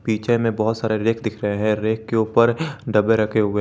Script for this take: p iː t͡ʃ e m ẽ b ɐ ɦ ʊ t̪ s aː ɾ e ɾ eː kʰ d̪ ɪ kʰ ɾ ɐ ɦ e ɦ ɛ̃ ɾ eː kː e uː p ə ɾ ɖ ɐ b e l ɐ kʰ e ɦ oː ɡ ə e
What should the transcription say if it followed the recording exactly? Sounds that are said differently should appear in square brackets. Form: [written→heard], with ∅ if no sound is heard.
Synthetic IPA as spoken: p iː t͡ʃ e m ẽ b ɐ ɦ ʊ t̪ s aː ɾ e ɾ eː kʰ d̪ ɪ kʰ ɾ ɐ ɦ e ɦ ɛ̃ ɾ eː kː e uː p ə ɾ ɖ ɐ b e [l→ɾ] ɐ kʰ e ɦ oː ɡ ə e